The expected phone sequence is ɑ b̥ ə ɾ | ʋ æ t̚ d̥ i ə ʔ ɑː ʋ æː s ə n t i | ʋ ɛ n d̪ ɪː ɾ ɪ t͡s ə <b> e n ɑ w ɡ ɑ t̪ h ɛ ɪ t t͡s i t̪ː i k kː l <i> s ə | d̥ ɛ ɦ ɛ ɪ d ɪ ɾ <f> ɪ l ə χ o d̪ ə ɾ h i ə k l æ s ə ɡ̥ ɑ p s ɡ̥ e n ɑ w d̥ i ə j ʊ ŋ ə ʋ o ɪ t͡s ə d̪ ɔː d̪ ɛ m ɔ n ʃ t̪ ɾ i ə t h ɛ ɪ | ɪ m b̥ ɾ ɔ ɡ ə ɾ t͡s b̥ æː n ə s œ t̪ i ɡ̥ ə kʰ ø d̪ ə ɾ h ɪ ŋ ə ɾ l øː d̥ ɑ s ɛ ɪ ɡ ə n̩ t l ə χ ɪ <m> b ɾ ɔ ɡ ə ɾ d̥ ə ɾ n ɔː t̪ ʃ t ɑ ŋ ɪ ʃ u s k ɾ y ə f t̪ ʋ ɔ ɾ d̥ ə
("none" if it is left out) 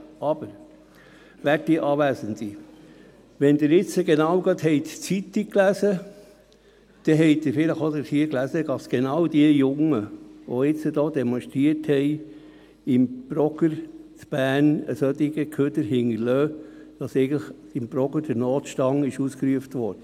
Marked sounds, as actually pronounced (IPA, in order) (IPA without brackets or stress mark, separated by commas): ɡ, æ, f, m